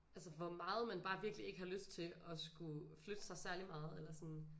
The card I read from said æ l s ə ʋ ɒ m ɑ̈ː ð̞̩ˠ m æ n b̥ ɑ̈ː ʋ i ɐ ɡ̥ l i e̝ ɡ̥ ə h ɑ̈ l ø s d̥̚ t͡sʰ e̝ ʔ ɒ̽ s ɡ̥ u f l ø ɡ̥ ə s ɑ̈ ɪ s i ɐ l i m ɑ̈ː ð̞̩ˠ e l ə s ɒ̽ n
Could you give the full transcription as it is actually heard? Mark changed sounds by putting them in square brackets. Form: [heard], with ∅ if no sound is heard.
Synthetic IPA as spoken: æ l s ə ʋ ɒ m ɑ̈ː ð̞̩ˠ m æ n b̥ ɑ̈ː ʋ i ɐ ɡ̥ l i e̝ ɡ̥ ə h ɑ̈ l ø s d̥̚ t͡sʰ e̝ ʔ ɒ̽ s ɡ̥ u f l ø [d̥] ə s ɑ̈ ɪ s [æ] ɐ l i m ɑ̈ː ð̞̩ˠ e l [ɐ] s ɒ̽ n